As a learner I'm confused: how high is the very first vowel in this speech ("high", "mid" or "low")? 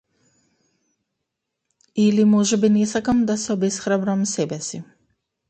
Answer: high